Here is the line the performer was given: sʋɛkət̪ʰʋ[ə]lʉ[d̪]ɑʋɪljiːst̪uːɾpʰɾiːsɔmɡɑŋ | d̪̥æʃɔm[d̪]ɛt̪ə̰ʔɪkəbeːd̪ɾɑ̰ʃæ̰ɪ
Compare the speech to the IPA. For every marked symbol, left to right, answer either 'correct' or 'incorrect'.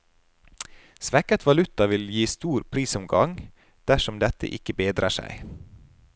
incorrect: ɑ, incorrect: t̪, correct

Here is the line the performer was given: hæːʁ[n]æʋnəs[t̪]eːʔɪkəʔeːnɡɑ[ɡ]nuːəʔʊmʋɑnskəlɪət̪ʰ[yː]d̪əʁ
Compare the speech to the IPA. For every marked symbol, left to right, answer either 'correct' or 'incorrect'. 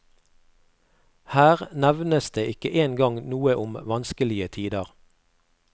correct, incorrect: d̪, incorrect: ŋ, incorrect: iː

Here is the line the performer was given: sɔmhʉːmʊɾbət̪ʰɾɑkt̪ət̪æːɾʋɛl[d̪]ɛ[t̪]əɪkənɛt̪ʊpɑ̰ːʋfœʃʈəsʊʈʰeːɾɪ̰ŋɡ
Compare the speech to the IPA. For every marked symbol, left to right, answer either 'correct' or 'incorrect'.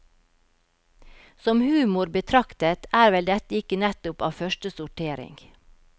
correct, correct

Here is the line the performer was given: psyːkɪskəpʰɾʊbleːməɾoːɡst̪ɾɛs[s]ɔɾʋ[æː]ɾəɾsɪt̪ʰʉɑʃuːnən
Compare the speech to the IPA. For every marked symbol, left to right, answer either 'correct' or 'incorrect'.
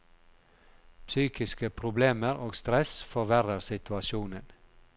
incorrect: f, incorrect: æ

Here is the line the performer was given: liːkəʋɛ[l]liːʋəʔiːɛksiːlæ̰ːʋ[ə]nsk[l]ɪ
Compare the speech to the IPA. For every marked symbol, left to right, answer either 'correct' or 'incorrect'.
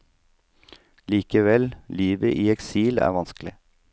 correct, incorrect: ɑ, correct

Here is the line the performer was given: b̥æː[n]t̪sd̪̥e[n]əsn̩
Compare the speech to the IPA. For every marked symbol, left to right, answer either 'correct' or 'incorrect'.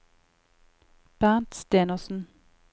correct, correct

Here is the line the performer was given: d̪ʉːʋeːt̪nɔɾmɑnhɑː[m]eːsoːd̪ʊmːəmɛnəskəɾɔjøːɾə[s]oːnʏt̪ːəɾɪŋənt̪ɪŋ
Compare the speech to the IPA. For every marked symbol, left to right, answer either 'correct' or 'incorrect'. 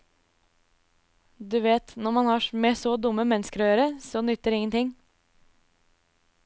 correct, correct

